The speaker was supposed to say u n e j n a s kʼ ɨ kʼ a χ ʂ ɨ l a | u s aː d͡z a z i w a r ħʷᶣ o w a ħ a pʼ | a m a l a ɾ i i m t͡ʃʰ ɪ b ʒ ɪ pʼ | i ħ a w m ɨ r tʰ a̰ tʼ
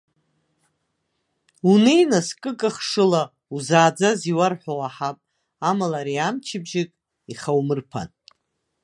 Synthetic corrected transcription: u n e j n a s kʼ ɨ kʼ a χ ʂ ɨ l a | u z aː d͡z a z i w a r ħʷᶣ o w a ħ a pʼ | a m a l a ɾ i a m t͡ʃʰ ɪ b ʒ ɪ kʼ | i χ a w m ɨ r pʰ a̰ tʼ